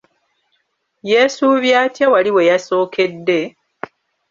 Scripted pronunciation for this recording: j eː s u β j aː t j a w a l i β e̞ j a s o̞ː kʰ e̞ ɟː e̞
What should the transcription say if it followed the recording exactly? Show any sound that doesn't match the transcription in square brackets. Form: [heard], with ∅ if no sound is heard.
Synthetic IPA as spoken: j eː s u β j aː t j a w a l i [w] e̞ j a s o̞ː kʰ e̞ [dː] e̞